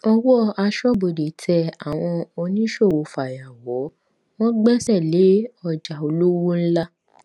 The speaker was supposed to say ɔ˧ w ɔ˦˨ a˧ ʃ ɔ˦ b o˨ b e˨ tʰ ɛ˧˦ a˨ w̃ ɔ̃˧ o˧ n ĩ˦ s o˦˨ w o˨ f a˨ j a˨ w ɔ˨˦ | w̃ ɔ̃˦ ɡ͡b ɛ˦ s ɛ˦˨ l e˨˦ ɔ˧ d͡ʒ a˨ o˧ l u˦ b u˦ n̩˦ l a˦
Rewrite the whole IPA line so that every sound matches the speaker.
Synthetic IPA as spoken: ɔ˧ w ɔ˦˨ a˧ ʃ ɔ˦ b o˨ d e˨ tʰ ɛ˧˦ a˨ w̃ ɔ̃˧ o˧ n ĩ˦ ʃ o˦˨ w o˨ f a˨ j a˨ w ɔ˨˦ | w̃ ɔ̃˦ ɡ͡b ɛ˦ s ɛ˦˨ l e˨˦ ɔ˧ d͡ʒ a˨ o˧ l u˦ w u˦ n̩˦ l a˦